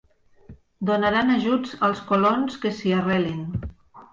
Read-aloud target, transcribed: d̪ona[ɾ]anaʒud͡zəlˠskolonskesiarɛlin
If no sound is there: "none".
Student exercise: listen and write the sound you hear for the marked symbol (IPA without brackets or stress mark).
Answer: ɾ